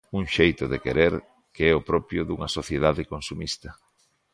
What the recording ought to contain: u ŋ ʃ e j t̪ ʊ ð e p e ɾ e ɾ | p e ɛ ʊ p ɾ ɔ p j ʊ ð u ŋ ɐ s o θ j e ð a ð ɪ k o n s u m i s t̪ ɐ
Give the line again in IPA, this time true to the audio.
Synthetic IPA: u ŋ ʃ e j t̪ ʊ ð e k e ɾ e ɾ | k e ɛ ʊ p ɾ ɔ p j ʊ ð u ŋ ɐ s o θ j e ð a ð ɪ k o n s u m i s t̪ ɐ